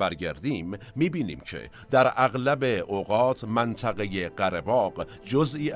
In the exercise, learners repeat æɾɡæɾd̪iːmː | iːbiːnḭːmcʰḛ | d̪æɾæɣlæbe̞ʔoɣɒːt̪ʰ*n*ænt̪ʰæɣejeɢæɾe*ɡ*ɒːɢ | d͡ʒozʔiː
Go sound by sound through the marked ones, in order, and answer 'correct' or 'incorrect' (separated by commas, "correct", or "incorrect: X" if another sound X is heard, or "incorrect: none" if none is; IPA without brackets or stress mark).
incorrect: m, incorrect: b